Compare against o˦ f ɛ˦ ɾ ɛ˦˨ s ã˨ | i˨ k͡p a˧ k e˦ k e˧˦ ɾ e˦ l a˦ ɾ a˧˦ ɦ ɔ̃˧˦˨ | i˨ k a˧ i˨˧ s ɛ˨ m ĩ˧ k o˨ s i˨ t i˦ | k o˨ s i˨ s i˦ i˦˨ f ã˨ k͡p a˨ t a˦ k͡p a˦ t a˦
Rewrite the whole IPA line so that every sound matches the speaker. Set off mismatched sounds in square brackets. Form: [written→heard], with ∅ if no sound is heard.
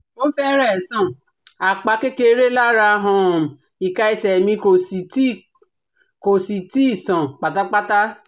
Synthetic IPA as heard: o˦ f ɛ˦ ɾ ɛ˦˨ s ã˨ | [i˨→a˨] k͡p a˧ k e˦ k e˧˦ ɾ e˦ l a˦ ɾ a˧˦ ɦ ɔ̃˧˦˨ | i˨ k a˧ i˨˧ s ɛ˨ m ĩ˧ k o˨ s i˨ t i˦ | k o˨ s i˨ [s→t] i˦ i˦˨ [f→s] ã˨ k͡p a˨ t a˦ k͡p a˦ t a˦